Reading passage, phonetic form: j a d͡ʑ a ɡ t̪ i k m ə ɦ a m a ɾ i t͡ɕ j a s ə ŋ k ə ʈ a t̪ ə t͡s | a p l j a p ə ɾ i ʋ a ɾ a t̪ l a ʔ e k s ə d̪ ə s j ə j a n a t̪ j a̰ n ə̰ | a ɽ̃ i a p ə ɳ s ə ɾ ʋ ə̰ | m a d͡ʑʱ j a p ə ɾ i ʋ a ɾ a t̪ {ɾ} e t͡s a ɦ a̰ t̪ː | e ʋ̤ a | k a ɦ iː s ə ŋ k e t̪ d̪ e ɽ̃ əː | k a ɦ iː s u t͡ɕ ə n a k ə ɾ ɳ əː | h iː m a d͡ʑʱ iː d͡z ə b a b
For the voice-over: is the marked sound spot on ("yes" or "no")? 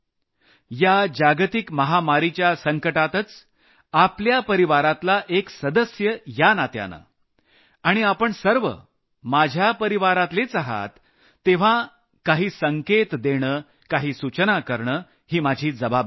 no